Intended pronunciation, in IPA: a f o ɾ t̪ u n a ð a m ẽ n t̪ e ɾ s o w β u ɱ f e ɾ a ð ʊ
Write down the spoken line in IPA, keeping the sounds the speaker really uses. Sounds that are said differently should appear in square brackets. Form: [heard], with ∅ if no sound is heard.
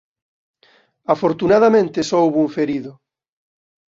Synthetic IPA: a f o ɾ t̪ u n a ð a m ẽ n t̪ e [∅] s o w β u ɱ f e ɾ [i] ð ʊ